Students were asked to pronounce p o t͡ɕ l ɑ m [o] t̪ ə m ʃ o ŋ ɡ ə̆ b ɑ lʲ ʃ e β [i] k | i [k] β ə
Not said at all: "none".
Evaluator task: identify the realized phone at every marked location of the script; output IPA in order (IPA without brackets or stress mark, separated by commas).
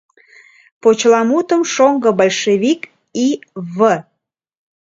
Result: u, i, none